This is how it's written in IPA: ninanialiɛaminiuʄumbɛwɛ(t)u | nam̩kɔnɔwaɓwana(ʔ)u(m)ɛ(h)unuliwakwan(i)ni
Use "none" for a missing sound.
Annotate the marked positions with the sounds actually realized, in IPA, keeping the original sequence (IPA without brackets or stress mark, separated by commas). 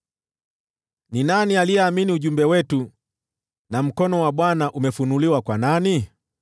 t, ʔ, m, f, a